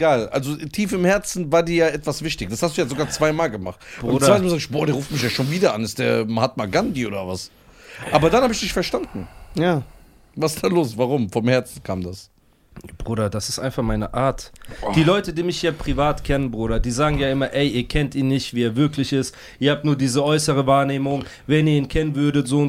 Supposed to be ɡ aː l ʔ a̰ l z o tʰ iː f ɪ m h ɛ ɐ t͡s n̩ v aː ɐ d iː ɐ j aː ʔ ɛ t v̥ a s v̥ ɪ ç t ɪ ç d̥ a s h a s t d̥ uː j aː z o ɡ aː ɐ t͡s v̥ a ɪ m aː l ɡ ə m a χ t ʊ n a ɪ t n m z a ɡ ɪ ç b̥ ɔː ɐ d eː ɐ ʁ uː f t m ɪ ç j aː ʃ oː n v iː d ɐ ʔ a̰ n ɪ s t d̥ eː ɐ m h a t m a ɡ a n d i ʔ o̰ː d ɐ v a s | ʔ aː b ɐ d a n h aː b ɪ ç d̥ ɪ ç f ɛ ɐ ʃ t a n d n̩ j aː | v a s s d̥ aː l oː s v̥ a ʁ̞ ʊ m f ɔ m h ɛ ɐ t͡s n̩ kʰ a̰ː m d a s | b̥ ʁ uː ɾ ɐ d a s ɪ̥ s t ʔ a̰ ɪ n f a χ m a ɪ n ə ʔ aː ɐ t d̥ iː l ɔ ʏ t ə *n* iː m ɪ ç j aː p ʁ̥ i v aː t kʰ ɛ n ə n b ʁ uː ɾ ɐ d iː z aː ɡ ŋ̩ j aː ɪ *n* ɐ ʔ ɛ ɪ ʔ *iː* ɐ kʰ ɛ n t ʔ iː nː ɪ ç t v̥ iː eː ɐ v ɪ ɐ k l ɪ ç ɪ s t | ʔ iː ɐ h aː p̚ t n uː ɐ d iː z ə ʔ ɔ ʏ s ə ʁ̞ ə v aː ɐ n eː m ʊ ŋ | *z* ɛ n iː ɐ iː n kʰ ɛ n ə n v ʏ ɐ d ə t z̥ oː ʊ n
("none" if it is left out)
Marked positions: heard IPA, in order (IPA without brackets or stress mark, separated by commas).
d, m, iː, v